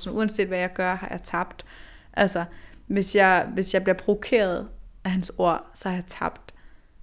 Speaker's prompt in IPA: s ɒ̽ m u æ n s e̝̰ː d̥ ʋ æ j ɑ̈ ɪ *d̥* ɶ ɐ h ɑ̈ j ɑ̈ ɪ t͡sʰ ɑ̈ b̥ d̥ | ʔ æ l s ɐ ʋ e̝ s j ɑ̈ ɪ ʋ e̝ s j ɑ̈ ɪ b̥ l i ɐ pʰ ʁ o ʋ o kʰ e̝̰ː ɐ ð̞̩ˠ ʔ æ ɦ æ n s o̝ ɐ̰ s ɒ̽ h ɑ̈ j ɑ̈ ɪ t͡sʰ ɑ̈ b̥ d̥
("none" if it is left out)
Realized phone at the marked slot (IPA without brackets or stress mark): ɡ̥